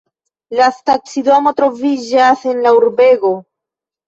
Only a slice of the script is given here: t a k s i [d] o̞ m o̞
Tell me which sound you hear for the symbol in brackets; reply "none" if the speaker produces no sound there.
d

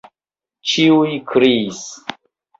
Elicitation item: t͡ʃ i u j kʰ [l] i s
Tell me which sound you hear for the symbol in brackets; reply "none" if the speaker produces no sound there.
ɾ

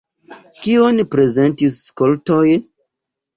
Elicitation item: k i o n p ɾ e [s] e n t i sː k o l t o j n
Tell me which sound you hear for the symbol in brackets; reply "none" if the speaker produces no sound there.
z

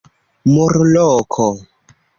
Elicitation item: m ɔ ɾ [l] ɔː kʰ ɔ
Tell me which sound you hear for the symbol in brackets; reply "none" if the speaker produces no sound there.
l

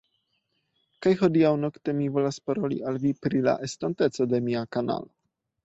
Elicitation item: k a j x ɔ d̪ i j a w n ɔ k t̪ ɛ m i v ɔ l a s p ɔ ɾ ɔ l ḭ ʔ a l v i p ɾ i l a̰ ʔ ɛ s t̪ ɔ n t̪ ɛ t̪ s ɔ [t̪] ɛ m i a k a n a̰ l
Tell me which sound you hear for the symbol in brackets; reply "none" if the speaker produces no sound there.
d̪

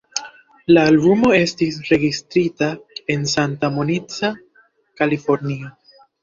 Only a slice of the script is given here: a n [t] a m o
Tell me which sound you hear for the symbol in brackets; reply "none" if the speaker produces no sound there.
t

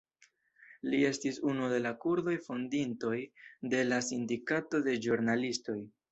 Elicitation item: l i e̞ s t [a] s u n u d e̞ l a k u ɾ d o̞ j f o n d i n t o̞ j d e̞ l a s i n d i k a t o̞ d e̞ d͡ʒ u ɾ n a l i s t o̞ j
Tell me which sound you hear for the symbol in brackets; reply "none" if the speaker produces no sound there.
i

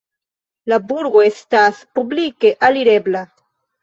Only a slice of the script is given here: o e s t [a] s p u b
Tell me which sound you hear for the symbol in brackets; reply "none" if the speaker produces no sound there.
a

